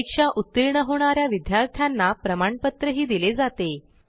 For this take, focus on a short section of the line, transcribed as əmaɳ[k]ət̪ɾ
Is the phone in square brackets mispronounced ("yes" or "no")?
yes